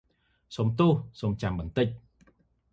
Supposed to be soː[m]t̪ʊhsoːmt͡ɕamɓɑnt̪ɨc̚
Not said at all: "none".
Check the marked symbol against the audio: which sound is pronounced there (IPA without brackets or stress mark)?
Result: m